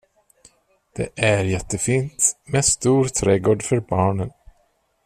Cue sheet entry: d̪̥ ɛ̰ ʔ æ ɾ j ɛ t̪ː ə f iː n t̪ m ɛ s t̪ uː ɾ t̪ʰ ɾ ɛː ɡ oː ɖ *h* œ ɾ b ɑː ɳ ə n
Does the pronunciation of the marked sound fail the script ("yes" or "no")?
yes